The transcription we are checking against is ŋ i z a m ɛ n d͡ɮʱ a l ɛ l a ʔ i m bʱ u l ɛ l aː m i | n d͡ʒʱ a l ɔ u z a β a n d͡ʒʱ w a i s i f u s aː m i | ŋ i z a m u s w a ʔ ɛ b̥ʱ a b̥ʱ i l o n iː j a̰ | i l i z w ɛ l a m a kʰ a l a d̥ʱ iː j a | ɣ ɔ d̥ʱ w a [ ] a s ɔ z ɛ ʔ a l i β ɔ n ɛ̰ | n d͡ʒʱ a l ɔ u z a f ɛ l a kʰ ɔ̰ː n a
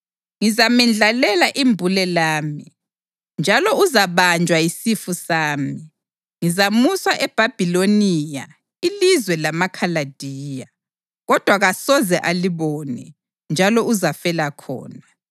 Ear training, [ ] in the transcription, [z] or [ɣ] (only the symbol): ɣ